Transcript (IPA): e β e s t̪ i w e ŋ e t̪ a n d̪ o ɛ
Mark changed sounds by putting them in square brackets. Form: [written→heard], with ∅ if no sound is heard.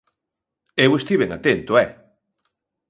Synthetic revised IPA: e [β→w] e s t̪ i [w→β] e ŋ [e→a] t̪ [a→e] n [d̪→t̪] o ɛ